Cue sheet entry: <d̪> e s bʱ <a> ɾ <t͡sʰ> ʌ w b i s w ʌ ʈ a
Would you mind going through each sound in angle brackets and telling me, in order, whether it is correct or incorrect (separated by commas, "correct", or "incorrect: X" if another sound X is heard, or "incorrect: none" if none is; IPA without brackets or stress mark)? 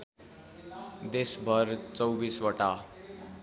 correct, incorrect: ʌ, incorrect: t͡s